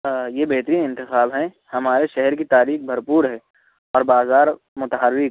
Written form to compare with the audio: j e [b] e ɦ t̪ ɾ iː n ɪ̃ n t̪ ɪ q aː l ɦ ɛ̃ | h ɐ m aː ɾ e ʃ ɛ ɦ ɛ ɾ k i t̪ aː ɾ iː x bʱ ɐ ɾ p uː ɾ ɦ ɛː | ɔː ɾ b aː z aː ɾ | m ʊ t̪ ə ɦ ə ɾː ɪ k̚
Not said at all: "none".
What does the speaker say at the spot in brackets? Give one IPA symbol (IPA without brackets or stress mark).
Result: b